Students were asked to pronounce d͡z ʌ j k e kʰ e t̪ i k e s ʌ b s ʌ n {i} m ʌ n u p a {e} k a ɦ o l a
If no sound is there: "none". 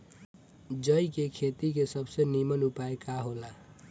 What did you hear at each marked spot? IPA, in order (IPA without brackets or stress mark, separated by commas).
i, e